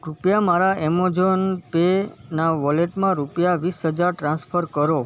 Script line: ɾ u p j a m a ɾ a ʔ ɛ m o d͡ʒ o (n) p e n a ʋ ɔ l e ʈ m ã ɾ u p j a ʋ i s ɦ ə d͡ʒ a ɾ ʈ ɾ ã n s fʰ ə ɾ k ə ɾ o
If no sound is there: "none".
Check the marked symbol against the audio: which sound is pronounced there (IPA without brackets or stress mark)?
n